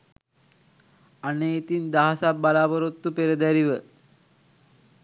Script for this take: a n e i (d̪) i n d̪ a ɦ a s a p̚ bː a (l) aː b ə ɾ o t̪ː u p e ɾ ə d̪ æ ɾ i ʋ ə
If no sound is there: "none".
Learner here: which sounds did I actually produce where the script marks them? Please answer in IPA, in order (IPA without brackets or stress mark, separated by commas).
t̪, l